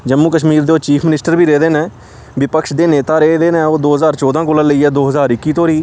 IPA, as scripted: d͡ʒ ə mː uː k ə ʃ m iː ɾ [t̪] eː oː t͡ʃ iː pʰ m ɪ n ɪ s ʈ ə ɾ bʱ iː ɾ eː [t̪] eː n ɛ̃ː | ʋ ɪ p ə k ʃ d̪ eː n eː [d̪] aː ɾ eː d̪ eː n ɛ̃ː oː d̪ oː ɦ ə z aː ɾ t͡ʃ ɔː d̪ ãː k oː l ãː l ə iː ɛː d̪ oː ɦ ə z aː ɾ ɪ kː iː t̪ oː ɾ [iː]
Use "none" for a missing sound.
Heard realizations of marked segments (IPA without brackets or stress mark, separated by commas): d̪, d̪, t̪, iː